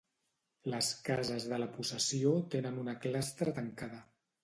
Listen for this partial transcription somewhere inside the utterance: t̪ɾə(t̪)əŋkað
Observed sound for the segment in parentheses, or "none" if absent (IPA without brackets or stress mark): t̪